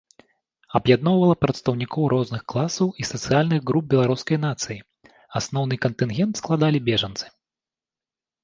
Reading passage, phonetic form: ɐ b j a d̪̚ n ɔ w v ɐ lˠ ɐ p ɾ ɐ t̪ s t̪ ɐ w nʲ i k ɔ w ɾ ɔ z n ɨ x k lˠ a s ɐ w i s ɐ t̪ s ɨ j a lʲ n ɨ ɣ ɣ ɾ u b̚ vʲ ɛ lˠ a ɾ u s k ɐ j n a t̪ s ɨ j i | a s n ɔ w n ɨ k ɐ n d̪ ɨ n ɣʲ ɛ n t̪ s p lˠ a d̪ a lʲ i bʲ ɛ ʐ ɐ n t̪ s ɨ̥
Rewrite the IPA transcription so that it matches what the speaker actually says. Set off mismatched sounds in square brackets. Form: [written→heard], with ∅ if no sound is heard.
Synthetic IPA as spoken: ɐ b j a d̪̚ n ɔ w v ɐ lˠ ɐ p ɾ ɐ t̪ s t̪ ɐ w nʲ i k ɔ w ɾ ɔ z n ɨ x k lˠ a s ɐ w i s ɐ t̪ s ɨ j a lʲ n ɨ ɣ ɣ ɾ u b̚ [vʲ→bʲ] ɛ lˠ a ɾ u s k ɐ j n a t̪ s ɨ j i | a s n ɔ w n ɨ k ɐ n [d̪→t̪] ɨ n ɣʲ ɛ n t̪ s [p→k] lˠ a d̪ a lʲ i bʲ ɛ ʐ ɐ n t̪ s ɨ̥